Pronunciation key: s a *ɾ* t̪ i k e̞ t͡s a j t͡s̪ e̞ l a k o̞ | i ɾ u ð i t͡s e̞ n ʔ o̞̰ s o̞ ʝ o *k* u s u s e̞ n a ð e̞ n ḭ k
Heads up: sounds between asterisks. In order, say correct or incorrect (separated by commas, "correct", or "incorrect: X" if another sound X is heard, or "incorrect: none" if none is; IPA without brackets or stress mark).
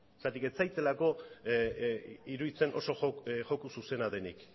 incorrect: none, correct